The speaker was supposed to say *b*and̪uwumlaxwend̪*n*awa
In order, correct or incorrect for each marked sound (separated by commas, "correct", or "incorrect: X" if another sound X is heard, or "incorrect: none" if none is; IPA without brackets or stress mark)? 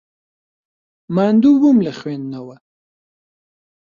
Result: incorrect: m, correct